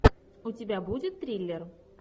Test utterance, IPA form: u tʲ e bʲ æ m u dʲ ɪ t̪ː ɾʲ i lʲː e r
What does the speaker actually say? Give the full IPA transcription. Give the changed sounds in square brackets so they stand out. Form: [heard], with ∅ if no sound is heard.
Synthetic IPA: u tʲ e bʲ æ [b] u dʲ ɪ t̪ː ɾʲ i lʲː e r

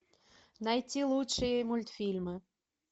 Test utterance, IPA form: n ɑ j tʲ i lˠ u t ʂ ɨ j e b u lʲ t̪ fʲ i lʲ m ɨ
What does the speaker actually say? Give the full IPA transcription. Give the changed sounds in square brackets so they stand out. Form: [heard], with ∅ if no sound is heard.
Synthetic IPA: n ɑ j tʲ i lˠ u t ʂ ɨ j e [m] u lʲ t̪ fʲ i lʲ m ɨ

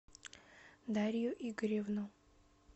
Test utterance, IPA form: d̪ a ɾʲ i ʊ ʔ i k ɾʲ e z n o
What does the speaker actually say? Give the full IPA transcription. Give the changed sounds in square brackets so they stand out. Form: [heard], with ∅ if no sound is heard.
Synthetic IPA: d̪ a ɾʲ [j] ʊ ʔ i [ɡ] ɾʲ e [v] n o

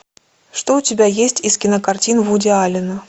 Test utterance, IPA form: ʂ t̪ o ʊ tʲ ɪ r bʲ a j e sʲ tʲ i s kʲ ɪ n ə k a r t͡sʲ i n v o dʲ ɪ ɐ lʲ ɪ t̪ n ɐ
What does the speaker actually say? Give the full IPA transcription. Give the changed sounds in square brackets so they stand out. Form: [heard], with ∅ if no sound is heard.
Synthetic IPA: ʂ t̪ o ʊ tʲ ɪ [∅] bʲ a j e sʲ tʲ i s kʲ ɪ n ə k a r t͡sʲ i n v [u] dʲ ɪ [a] lʲ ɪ [∅] n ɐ

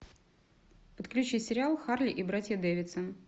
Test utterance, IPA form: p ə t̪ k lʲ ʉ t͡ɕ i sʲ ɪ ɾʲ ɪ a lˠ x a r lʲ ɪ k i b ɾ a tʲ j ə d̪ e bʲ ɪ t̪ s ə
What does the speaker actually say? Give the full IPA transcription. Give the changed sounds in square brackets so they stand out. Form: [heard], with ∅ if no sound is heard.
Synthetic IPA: p ə t̪ k lʲ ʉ t͡ɕ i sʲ ɪ ɾʲ ɪ a lˠ x a r lʲ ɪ [ʔ] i b ɾ a tʲ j ə d̪ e [vʲ] ɪ t̪ s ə

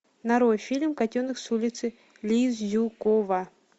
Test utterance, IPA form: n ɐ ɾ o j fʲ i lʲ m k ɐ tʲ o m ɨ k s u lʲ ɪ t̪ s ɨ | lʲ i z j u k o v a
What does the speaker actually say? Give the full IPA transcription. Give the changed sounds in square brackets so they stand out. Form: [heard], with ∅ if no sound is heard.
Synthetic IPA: n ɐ ɾ o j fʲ i lʲ m k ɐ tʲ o [n] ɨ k s u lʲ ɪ t̪ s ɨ | lʲ i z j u k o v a

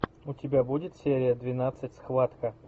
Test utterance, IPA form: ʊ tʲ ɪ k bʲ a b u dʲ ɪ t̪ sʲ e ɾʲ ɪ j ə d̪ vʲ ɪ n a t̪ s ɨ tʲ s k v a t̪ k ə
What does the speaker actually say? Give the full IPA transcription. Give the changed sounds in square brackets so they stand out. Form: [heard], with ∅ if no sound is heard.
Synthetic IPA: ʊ tʲ ɪ [∅] bʲ a b u dʲ ɪ t̪ sʲ e ɾʲ ɪ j ə d̪ vʲ ɪ n a t̪ s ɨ tʲ s [x] v a t̪ k ə

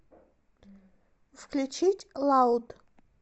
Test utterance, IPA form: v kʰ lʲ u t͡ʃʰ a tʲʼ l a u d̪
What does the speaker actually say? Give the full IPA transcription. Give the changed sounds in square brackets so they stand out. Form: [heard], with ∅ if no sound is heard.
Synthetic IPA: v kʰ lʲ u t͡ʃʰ [i] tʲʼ l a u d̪

